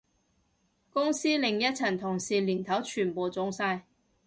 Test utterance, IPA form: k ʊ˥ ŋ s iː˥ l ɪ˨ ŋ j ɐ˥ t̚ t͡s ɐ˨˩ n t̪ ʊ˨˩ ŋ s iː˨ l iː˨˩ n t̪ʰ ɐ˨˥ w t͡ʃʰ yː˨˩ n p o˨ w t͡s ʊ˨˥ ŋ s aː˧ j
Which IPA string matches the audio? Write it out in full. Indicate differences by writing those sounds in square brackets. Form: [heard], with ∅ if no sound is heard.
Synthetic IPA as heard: k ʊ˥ ŋ s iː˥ l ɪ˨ ŋ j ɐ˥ t̚ [t͡sʰ] ɐ˨˩ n [t̪ʰ] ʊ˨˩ ŋ s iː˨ l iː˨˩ n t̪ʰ ɐ˨˥ w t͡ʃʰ yː˨˩ n p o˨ w t͡s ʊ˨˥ ŋ s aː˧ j